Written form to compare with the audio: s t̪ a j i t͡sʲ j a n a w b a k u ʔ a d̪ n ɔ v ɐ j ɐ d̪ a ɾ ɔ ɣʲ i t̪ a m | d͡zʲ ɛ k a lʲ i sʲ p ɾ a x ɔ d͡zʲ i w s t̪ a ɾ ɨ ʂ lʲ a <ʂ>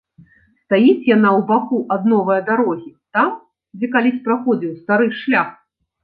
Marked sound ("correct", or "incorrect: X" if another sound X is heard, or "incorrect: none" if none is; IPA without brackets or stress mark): incorrect: x